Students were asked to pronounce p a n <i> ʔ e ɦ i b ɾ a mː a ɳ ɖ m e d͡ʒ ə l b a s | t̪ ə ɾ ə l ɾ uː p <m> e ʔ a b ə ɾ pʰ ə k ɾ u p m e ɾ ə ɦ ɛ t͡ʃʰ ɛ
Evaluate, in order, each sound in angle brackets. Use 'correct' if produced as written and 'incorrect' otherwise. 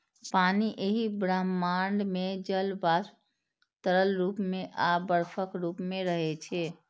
correct, correct

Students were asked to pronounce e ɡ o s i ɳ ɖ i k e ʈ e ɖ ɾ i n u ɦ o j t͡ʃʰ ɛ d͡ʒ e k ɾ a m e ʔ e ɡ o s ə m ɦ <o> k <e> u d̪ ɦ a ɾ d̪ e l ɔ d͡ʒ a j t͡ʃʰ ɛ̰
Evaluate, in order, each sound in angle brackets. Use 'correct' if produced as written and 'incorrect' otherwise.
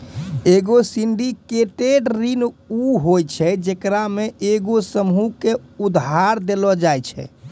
incorrect: u, correct

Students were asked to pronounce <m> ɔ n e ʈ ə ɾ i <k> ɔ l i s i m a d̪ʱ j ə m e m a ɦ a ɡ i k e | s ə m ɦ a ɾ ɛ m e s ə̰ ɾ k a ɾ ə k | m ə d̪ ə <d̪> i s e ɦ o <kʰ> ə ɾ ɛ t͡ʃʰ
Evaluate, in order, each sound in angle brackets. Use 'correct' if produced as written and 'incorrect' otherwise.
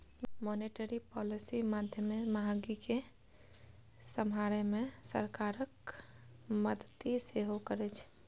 correct, incorrect: p, incorrect: t̪, incorrect: k

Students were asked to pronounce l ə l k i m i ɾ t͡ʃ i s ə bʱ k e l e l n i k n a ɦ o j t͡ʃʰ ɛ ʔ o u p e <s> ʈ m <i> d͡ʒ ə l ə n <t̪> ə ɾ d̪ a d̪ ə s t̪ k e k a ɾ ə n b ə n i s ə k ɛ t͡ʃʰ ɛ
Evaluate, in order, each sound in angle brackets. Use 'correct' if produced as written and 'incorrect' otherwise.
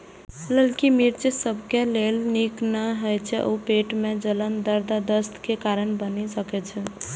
incorrect: none, incorrect: e, incorrect: d̪

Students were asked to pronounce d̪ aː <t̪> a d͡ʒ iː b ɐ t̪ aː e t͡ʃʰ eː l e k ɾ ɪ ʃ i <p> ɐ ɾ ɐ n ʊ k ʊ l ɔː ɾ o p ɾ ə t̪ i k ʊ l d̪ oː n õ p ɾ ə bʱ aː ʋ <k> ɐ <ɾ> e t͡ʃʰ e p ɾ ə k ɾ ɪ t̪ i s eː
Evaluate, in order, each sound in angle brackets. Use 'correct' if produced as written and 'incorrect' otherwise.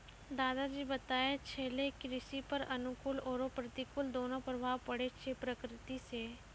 incorrect: d̪, correct, incorrect: p, incorrect: ɽ

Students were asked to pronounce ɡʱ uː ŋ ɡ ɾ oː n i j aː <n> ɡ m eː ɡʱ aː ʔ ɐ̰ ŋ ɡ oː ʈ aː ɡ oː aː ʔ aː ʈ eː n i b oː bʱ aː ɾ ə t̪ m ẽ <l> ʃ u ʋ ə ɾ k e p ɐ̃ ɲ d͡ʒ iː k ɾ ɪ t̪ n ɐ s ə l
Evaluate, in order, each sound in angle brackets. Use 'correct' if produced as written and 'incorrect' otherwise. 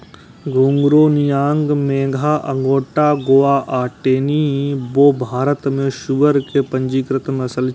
incorrect: ŋ, incorrect: none

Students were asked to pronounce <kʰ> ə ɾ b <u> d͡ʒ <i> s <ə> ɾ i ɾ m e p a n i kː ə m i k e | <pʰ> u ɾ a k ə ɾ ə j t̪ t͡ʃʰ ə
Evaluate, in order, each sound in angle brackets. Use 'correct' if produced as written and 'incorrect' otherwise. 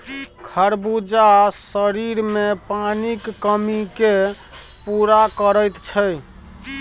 correct, correct, incorrect: a, correct, incorrect: p

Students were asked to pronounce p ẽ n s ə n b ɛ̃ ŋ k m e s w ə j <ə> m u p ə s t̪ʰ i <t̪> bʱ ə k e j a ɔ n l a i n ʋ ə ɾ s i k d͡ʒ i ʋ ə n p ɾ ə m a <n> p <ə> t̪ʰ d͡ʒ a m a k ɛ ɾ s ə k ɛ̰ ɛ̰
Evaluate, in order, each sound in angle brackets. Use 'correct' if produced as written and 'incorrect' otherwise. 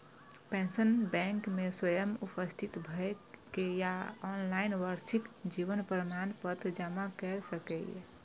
correct, correct, correct, correct

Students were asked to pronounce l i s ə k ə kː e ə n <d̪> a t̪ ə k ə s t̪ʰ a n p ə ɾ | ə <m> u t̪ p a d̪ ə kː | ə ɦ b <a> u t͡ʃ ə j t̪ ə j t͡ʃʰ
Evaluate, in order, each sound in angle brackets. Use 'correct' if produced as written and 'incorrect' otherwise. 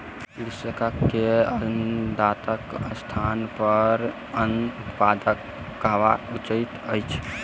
correct, incorrect: n, correct

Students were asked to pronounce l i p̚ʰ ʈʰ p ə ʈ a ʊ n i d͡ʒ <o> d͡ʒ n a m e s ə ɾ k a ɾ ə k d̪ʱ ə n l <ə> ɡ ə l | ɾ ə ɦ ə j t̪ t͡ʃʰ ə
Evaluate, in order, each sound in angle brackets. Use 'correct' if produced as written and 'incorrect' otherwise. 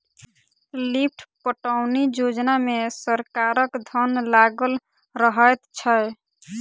correct, incorrect: a

